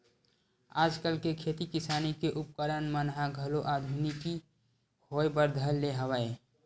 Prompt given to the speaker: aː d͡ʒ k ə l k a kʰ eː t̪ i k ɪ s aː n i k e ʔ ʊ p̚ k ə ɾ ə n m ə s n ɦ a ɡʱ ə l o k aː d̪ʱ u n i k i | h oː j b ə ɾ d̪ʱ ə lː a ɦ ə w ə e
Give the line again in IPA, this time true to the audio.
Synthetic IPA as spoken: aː d͡ʒ k ə l k e kʰ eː t̪ i k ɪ s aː n i k e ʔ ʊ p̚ k ə ɾ ə n m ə n ɦ a ɡʱ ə l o ʔ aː d̪ʱ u n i k i | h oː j b ə ɾ d̪ʱ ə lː e ɦ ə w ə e